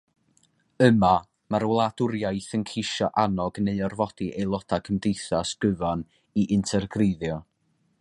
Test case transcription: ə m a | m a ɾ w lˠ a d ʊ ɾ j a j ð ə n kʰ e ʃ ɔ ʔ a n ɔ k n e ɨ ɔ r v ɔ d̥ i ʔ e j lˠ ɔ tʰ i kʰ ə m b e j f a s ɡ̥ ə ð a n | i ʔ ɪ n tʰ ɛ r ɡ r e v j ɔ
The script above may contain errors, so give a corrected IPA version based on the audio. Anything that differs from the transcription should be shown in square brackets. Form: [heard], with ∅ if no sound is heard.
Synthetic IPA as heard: ə m a | m a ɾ w lˠ a d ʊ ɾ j a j [θ] ə n kʰ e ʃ ɔ ʔ a n ɔ [ɡ] n e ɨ ɔ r v ɔ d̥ i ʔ e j lˠ ɔ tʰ [a] kʰ ə m [d] e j [θ] a s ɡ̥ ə [v] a n | i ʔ ɪ n tʰ ɛ r ɡ r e [ð] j ɔ